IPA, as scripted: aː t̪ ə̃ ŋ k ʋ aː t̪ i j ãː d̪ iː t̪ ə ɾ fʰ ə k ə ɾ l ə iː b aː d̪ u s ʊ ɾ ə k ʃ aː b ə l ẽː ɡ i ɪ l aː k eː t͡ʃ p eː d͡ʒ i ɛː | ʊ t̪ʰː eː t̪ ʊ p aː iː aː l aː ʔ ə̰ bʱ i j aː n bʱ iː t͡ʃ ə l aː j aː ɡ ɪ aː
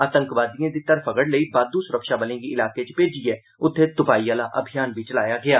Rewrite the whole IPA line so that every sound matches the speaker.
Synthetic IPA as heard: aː t̪ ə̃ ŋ k ʋ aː d̪ i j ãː d̪ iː t̪ ə ɾ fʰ ə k ə ɽ l ə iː b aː d̪ u s ʊ ɾ ə k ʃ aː b ə l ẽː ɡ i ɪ l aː k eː t͡ʃ p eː d͡ʒ i ɛː | ʊ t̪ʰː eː t̪ ʊ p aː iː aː l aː ʔ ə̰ bʱ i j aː n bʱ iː t͡ʃ ə l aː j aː ɡ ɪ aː